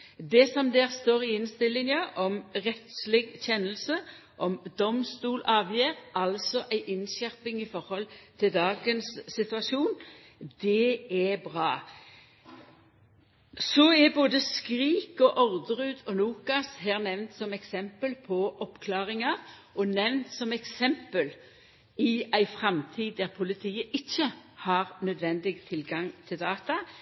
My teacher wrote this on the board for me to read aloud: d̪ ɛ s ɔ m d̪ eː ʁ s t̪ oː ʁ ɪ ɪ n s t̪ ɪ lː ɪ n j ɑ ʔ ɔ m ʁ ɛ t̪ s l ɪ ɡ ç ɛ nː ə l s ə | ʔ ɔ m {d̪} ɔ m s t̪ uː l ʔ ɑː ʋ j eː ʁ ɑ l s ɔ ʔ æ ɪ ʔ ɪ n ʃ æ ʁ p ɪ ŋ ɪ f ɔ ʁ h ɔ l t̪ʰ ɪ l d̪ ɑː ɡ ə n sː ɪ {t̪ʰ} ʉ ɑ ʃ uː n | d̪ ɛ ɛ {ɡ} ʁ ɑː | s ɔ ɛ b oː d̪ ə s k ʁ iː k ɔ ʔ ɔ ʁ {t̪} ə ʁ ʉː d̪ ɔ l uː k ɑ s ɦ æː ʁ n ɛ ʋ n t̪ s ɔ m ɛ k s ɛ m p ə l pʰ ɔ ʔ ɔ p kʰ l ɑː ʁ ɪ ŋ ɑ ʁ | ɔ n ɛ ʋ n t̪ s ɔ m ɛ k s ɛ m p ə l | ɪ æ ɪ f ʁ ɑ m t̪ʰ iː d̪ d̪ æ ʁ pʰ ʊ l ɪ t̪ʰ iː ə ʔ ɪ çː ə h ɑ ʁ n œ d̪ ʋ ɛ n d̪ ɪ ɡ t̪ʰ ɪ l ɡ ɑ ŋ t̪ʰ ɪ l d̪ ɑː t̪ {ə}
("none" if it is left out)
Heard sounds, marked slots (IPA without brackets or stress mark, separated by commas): d̪, t̪, b, d̪, ɑ